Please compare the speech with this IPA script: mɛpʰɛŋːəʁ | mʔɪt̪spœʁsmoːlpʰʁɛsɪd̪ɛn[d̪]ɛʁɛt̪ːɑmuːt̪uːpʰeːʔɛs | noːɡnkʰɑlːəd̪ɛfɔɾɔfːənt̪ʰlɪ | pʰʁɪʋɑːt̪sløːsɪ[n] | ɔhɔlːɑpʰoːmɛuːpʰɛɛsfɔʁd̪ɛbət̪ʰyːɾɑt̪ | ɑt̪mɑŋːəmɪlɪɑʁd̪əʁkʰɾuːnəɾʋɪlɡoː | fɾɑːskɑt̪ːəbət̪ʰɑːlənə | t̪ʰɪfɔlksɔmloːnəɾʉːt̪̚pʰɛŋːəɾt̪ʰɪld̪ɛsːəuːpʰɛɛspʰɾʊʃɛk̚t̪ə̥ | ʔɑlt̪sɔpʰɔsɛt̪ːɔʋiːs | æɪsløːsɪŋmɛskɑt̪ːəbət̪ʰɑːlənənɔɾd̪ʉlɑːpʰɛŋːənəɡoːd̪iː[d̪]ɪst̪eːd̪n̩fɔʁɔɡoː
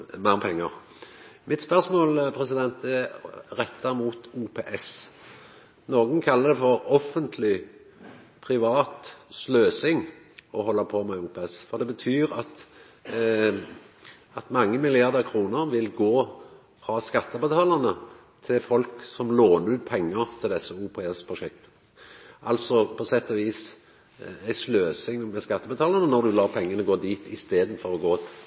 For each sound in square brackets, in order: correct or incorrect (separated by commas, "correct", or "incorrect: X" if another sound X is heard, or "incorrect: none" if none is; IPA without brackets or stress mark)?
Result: incorrect: t̪, incorrect: ŋ, incorrect: t̪